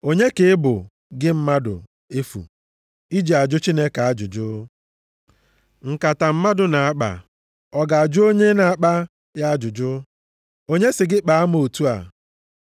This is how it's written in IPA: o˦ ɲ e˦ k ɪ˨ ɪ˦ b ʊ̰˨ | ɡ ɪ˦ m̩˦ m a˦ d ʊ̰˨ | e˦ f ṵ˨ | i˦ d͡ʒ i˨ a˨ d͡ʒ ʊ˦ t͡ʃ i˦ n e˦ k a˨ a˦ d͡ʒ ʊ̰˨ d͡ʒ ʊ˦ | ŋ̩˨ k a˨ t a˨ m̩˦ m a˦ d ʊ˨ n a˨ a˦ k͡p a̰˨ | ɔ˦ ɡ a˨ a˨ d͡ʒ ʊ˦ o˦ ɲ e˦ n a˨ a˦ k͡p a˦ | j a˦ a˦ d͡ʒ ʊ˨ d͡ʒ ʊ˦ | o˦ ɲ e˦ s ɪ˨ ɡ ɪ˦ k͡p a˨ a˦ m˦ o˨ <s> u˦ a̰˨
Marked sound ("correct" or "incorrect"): incorrect